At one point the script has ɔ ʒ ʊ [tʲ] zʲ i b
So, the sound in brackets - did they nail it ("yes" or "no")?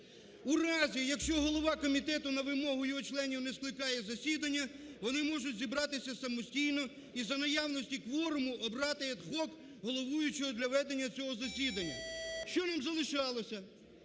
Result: yes